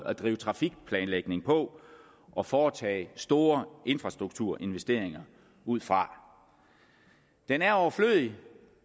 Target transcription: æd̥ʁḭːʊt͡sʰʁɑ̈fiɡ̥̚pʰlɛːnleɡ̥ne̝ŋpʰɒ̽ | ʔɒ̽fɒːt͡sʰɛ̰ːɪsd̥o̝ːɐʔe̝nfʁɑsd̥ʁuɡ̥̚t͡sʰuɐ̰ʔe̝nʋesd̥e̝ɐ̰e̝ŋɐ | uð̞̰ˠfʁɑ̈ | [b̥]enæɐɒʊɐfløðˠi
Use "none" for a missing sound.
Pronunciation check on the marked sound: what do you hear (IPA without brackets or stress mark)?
d̥